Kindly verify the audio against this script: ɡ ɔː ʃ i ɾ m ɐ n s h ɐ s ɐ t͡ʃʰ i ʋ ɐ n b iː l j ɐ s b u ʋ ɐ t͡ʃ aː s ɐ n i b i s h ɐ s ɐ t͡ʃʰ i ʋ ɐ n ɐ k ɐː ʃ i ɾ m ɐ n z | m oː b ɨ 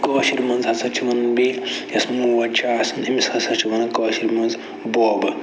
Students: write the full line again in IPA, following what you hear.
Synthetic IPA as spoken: k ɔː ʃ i ɾ m ɐ n z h ɐ s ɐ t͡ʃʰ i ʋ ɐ n b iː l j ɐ s m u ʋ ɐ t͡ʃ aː s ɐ n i m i s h ɐ s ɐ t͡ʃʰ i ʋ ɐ n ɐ k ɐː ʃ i ɾ m ɐ n z | b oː b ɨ